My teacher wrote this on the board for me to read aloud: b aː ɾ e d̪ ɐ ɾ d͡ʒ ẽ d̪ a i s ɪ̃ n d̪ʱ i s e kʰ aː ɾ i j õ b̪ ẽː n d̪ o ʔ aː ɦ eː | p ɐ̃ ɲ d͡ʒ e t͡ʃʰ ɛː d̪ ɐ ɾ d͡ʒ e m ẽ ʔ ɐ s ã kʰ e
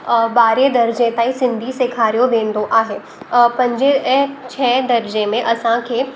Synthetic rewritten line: b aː ɾ e d̪ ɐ ɾ d͡ʒ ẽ t̪ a i s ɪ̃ n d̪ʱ i s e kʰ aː ɾ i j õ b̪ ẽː n d̪ o ʔ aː ɦ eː | p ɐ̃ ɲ d͡ʒ e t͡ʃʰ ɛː d̪ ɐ ɾ d͡ʒ e m ẽ ʔ ɐ s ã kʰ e